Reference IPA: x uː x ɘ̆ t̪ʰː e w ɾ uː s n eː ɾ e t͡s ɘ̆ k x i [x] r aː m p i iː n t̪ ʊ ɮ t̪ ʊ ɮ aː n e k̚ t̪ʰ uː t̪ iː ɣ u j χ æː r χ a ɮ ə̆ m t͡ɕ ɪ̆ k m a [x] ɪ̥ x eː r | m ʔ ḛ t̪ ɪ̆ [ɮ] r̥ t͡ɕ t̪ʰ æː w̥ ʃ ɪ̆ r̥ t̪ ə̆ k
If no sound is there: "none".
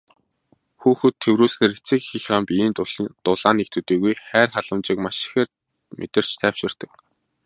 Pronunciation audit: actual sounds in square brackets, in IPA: x, ʃ, none

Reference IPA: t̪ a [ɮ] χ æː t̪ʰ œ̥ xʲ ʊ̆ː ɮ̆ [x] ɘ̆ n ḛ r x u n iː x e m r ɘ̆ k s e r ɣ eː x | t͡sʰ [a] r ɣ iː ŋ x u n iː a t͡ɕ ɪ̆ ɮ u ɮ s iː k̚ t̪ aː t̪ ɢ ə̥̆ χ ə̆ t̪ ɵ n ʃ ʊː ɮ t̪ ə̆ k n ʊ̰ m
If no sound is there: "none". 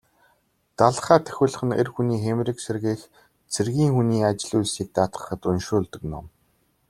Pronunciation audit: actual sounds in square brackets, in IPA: ɮ, χ, e

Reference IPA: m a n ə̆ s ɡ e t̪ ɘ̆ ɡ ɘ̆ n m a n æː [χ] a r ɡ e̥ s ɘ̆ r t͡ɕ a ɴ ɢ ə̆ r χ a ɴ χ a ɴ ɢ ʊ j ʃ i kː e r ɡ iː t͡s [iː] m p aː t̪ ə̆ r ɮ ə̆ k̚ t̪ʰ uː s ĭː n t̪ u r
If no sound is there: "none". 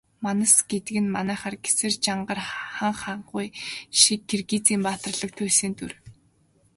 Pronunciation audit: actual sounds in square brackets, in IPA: χ, iː

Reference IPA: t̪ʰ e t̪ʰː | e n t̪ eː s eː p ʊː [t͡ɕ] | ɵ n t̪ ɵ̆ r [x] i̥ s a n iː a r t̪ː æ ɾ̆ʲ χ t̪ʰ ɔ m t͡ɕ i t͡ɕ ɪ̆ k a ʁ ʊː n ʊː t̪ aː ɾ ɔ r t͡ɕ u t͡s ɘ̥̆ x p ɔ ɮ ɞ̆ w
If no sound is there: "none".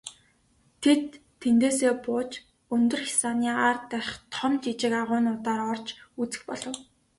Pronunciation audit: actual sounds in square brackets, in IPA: t͡ɕ, x

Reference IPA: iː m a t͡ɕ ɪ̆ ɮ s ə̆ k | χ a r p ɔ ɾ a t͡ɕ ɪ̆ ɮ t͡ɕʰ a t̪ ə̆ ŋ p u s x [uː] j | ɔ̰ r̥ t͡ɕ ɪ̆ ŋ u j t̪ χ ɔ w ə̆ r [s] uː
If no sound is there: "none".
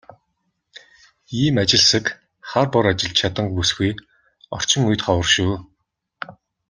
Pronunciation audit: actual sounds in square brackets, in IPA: u, ʃ

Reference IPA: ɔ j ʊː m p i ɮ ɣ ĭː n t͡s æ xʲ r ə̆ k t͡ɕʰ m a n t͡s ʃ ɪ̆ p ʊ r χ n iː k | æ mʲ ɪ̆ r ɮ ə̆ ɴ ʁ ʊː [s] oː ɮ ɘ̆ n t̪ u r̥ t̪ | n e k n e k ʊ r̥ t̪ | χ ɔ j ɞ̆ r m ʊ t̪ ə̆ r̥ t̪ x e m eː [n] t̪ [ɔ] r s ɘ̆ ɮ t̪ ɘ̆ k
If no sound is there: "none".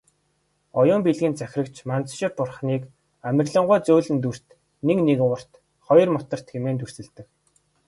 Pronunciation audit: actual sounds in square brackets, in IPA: t͡s, n, u

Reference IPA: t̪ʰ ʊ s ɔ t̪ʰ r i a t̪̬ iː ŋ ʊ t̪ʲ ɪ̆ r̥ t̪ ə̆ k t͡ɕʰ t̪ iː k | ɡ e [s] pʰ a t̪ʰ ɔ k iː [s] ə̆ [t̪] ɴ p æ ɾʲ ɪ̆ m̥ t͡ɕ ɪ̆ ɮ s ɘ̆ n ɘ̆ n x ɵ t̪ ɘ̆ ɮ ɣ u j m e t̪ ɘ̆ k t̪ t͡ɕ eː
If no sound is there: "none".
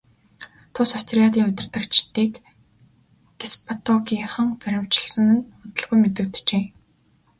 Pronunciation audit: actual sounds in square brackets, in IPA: s, χ, none

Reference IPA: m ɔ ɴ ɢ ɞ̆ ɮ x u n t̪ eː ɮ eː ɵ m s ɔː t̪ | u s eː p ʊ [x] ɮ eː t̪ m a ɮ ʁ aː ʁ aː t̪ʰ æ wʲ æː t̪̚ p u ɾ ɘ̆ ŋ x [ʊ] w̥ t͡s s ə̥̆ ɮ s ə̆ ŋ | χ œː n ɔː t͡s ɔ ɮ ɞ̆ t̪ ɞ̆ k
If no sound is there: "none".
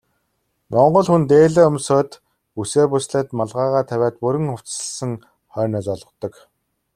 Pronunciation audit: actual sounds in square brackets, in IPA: s, ʊ

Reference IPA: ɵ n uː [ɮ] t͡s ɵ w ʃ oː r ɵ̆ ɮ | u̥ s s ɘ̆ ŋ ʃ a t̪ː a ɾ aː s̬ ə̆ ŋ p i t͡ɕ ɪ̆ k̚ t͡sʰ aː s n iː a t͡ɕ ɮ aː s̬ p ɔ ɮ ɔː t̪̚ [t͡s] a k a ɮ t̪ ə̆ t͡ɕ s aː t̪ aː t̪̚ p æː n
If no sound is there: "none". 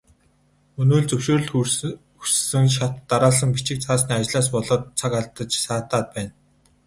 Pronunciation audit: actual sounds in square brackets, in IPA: ɮ, t͡sʰ

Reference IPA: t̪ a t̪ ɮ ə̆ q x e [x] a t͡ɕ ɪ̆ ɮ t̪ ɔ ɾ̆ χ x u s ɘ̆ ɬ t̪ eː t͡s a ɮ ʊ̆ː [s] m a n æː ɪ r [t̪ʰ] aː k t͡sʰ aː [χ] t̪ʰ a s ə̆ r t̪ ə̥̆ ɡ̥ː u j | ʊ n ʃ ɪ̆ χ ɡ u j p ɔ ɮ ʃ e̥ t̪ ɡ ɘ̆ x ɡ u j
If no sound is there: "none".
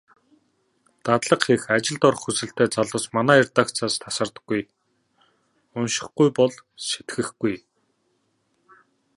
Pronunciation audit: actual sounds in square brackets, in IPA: x, s, t̪, s

